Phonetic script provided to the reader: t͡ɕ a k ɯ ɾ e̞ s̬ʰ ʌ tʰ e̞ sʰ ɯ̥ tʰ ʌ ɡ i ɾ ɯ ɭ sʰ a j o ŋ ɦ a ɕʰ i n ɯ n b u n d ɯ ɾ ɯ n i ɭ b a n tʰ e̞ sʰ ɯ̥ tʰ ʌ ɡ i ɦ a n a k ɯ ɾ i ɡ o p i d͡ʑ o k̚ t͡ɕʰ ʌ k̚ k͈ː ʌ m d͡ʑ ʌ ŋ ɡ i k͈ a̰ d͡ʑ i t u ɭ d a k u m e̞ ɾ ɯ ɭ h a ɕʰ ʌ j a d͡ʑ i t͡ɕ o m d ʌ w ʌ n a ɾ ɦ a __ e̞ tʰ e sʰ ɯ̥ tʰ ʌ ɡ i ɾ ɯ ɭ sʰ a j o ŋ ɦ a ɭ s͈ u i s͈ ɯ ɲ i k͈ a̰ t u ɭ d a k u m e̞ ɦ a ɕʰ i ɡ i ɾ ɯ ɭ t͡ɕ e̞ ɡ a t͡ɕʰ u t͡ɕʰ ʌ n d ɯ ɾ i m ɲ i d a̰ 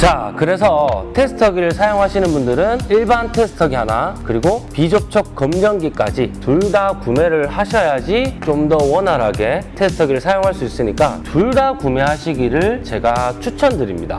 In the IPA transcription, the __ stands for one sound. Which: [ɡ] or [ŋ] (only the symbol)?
ɡ